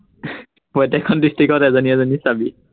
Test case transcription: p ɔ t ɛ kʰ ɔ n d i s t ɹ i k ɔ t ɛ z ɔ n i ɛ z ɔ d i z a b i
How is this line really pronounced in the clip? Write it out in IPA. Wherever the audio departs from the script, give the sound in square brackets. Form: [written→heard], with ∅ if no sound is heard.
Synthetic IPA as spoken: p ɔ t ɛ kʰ ɔ n d i s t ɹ i k ɔ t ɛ z ɔ n i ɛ z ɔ [d→n] i [z→s] a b i